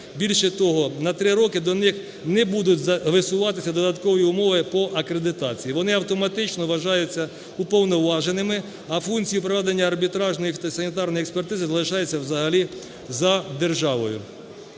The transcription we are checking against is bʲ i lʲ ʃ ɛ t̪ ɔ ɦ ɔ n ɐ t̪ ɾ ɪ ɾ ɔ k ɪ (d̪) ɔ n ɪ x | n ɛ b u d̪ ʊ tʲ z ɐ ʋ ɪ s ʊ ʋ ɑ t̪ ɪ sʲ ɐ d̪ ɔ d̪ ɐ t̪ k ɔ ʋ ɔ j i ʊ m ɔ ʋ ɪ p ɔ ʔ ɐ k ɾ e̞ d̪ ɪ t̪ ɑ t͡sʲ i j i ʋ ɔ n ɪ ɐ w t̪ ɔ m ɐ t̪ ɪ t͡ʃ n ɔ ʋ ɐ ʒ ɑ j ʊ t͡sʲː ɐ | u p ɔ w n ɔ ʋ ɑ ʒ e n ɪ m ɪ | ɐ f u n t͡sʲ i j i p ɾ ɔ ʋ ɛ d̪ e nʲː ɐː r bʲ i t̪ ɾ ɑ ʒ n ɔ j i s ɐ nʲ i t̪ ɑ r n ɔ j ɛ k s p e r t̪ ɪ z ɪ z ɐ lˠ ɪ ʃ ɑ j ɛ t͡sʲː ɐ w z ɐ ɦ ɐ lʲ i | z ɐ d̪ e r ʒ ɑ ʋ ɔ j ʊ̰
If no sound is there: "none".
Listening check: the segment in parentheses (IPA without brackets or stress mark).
d̪